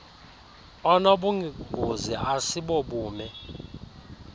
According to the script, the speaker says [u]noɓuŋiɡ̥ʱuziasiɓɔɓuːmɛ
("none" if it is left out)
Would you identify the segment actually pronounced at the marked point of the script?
ɔ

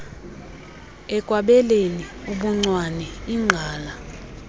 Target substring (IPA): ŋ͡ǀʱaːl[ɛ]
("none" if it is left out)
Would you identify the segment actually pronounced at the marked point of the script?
a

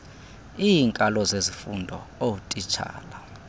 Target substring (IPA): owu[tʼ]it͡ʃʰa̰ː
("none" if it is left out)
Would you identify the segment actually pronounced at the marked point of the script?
tʼ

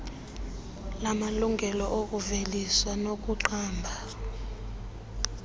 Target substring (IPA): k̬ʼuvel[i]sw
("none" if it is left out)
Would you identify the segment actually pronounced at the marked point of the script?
i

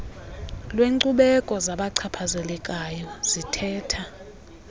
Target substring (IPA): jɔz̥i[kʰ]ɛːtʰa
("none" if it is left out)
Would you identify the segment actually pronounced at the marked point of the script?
tʰ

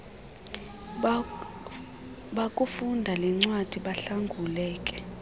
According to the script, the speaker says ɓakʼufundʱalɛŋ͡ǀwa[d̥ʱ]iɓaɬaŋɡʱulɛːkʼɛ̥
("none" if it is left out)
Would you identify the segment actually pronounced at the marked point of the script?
d̥ʱ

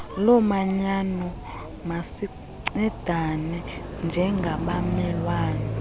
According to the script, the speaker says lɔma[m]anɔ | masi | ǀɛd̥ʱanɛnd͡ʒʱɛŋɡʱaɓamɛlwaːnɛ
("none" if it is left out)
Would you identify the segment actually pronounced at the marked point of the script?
ɲ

